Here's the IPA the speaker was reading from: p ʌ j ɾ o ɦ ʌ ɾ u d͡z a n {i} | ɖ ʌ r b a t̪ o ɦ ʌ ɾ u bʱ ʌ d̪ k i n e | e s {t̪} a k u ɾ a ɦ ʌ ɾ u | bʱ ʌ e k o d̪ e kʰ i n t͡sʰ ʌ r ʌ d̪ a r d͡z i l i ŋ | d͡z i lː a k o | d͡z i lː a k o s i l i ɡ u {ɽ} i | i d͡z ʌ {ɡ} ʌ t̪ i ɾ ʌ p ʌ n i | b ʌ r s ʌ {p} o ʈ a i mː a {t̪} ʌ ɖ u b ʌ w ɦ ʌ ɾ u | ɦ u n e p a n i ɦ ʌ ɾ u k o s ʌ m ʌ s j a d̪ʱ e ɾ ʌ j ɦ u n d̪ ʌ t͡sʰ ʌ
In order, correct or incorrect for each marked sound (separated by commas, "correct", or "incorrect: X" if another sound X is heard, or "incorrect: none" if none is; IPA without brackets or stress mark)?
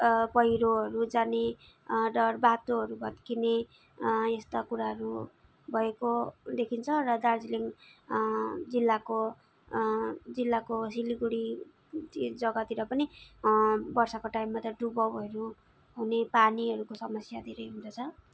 incorrect: e, correct, correct, correct, incorrect: k, correct